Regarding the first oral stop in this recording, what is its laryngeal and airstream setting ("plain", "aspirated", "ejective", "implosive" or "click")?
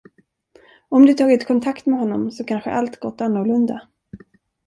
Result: plain